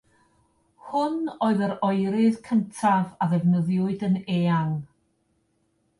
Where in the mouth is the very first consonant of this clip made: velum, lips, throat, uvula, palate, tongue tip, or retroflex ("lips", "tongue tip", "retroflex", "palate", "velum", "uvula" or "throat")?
throat